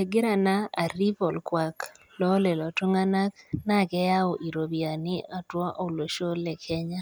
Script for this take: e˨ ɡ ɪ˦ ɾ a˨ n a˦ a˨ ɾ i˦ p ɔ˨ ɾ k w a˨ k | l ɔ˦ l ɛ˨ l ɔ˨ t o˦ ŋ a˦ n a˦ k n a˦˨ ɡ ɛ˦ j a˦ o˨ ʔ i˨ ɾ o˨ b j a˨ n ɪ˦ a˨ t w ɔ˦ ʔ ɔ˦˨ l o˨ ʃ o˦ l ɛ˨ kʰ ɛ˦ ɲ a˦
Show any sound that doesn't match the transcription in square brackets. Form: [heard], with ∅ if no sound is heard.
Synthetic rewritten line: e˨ ɡ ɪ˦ ɾ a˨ n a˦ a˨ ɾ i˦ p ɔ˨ [l] k w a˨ k | l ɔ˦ l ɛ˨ l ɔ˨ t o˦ ŋ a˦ n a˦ k n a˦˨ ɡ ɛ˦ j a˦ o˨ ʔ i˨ ɾ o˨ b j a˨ n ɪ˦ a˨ t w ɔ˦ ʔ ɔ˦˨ l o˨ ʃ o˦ l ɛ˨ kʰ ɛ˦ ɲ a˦